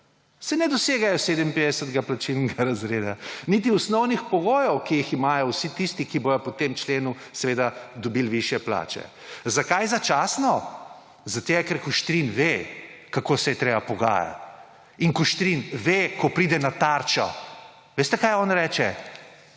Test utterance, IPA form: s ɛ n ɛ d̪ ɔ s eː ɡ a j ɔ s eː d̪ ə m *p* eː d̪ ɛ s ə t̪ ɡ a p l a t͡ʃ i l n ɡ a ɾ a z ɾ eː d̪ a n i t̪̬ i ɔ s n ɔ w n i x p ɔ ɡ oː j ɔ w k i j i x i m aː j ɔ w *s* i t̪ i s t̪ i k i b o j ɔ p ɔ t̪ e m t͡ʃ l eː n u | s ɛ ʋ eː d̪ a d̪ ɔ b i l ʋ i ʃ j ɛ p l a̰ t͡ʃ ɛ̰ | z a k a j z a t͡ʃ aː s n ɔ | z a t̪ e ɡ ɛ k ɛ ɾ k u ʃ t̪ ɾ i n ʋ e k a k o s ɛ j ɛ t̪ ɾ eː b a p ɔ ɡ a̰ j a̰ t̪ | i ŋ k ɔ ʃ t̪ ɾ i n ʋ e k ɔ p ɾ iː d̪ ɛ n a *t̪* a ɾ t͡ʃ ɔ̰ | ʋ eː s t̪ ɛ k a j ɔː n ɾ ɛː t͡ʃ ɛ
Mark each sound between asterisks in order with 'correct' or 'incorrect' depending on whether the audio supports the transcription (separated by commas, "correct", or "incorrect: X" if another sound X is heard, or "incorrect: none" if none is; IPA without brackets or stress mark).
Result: correct, correct, correct